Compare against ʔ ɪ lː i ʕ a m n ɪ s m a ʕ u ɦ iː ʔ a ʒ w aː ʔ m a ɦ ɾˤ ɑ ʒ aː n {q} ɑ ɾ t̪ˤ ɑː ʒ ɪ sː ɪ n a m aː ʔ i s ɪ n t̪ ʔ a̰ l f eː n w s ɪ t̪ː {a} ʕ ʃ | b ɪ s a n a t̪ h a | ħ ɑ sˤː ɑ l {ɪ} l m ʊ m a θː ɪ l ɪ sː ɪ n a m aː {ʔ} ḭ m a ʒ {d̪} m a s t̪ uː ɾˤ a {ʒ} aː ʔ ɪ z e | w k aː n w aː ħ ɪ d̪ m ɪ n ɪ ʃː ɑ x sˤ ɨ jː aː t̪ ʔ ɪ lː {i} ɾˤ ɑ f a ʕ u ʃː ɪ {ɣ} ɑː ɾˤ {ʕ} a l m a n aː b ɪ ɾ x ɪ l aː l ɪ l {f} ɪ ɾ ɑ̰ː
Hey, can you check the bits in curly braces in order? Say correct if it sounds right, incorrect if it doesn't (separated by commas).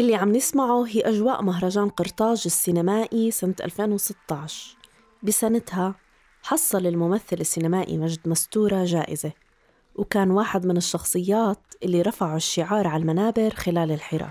correct, incorrect, correct, correct, correct, correct, correct, incorrect, correct, incorrect